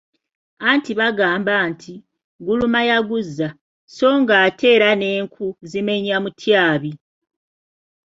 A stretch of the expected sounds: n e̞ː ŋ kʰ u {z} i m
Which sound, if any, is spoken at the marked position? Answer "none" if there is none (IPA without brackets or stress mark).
z